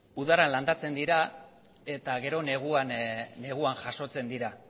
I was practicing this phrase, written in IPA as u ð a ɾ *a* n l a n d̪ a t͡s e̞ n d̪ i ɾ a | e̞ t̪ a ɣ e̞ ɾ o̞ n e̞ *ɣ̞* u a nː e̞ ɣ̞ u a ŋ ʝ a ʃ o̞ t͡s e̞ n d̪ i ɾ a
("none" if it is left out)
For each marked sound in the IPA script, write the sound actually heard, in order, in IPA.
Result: a, ɣ̞

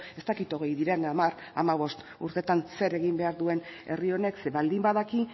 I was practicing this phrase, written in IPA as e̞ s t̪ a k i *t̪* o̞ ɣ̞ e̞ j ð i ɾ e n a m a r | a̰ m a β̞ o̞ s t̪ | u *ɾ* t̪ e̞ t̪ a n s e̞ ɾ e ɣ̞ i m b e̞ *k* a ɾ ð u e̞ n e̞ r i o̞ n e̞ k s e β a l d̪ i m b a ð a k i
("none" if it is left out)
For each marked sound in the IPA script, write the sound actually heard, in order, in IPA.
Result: t̪, ɾ, none

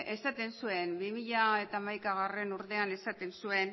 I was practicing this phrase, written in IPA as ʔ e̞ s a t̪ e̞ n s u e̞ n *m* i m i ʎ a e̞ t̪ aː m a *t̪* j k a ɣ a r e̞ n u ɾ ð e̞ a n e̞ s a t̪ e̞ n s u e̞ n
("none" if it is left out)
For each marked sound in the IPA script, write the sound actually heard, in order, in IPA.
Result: b, none

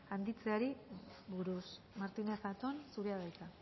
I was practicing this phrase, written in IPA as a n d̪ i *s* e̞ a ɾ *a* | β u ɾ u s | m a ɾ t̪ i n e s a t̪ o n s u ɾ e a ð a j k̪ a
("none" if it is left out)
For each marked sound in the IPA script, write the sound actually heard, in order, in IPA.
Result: t͡s, i

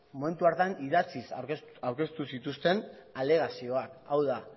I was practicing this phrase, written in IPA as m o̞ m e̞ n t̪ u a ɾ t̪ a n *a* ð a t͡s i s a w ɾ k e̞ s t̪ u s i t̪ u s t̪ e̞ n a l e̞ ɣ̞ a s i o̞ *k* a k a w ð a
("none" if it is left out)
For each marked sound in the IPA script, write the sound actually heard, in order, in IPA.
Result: i, none

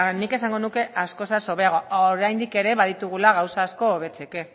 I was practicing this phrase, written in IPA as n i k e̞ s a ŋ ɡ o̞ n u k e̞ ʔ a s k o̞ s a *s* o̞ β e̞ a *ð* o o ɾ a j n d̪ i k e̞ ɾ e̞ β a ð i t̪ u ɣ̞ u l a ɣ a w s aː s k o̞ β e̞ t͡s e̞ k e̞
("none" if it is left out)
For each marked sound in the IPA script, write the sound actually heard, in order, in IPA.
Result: s, ɣ

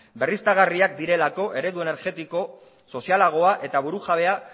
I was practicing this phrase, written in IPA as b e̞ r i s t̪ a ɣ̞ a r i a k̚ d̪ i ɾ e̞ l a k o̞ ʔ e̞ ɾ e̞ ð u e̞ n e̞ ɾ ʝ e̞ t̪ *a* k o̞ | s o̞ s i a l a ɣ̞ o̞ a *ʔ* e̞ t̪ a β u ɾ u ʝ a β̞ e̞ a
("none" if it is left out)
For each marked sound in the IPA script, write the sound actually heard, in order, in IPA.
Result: i, ʔ

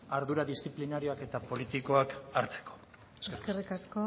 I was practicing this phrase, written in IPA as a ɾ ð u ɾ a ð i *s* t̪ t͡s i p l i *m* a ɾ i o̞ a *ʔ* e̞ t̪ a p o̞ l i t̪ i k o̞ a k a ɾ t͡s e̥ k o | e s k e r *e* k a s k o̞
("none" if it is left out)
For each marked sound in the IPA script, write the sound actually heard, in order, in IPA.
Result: s, n, k, i

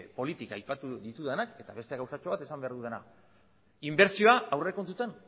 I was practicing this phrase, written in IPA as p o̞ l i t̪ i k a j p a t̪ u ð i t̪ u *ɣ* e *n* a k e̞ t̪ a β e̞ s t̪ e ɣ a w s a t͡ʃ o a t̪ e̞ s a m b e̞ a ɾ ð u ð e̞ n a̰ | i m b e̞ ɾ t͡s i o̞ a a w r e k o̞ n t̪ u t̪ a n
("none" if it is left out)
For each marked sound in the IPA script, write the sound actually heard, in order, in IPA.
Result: ð, n

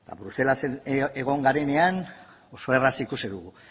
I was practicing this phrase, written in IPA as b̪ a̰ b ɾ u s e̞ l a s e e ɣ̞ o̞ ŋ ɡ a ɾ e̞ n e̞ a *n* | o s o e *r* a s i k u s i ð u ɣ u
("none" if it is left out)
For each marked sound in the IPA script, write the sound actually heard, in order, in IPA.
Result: n, r

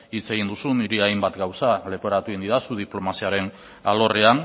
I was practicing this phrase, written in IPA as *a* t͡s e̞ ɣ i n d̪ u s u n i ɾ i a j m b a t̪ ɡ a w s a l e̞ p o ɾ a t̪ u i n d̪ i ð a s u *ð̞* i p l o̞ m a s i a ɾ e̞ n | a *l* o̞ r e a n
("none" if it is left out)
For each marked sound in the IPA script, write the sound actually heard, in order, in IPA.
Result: i, ð̞, l

